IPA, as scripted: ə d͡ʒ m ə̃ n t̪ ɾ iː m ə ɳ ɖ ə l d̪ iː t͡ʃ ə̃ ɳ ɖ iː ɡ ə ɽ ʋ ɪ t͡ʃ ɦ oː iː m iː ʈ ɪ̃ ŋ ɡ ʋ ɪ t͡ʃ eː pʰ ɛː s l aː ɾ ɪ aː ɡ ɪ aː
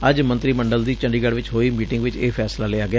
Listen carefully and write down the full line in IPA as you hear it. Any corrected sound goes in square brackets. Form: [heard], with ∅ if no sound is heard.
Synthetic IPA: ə d͡ʒ m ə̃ n t̪ ɾ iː m ə ɳ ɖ ə l d̪ iː t͡ʃ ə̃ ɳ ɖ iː ɡ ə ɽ ʋ ɪ t͡ʃ ɦ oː iː m iː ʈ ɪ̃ ŋ ɡ ʋ ɪ t͡ʃ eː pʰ ɛː s l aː [l] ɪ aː ɡ ɪ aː